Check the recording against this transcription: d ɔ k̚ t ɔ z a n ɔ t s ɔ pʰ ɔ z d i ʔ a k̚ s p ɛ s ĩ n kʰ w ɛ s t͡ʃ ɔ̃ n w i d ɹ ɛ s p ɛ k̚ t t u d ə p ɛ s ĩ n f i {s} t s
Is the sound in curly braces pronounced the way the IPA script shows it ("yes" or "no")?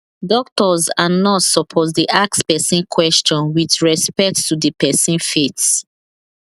no